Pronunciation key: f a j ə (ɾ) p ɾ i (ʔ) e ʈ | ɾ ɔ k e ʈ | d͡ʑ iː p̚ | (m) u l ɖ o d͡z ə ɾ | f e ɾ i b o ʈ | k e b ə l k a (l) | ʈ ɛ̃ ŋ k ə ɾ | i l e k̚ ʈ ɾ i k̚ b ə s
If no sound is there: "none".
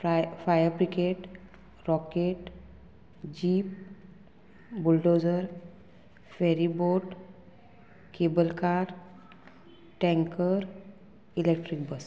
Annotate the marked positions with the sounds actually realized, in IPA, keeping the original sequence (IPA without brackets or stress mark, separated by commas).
ɾ, k, b, ɾ